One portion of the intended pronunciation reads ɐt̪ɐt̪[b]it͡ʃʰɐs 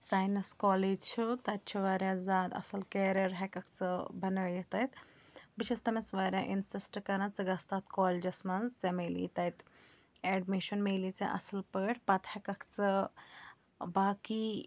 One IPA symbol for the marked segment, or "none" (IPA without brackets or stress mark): b